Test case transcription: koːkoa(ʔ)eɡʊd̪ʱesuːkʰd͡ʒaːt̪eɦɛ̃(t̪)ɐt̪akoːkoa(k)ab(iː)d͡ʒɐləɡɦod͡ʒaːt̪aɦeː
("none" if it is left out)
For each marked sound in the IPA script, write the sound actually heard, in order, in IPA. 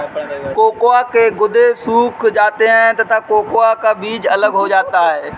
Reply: k, t̪, k, iː

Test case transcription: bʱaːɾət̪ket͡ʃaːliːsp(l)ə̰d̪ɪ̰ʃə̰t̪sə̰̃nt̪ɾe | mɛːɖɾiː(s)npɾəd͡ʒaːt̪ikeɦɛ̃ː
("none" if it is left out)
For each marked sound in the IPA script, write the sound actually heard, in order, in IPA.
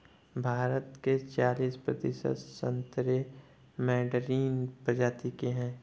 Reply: ɾ, none

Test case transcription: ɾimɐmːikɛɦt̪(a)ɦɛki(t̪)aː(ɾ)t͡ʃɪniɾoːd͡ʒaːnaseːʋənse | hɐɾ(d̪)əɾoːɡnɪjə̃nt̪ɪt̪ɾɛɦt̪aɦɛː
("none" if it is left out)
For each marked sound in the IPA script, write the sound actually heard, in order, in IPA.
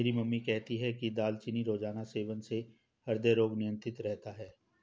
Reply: i, d̪, l, d̪

